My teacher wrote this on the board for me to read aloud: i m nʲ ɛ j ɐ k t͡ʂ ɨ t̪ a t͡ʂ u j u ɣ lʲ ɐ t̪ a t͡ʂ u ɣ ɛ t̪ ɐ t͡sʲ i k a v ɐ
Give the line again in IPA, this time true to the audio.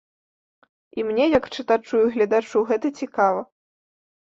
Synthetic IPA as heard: i m nʲ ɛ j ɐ k t͡ʂ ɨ t̪ a t͡ʂ u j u ɣ lʲ ɐ d̪ a t͡ʂ u ɣ ɛ t̪ ɐ t͡sʲ i k a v ɐ